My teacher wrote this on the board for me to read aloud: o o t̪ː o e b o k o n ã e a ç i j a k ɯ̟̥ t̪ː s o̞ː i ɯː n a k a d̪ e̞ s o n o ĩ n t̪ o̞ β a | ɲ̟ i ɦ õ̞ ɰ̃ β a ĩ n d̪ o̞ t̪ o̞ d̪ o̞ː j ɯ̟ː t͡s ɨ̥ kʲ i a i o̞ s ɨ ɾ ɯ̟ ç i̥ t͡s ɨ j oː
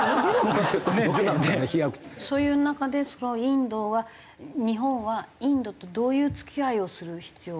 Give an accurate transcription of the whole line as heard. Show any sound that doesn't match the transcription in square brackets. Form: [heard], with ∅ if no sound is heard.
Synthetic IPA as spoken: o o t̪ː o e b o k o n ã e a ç i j a k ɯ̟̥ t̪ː s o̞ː [j] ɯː n a k a d̪ e̞ s o n o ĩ n [d̪] o̞ β a | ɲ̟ i ɦ õ̞ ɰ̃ β a ĩ n d̪ o̞ t̪ o̞ d̪ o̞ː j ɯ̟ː t͡s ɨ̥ kʲ i a i o̞ s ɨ ɾ ɯ̟ ç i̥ t͡s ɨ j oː